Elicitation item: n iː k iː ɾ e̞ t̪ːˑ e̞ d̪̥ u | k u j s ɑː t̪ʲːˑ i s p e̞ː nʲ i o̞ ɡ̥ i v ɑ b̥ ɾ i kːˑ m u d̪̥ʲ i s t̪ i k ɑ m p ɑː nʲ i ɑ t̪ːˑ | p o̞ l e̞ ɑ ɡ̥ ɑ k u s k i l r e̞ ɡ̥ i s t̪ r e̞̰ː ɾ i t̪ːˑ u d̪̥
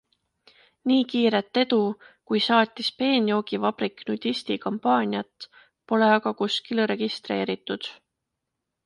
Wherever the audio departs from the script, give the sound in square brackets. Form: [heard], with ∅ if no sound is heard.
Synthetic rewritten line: n iː k iː ɾ e̞ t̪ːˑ e̞ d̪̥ u | k u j s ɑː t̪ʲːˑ i s p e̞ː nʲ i o̞ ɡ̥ i v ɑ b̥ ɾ i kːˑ [n] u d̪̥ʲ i s t̪ i k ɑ m p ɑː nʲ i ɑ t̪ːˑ | p o̞ l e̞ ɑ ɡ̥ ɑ k u s k i l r e̞ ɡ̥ i s t̪ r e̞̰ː ɾ i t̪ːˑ u d̪̥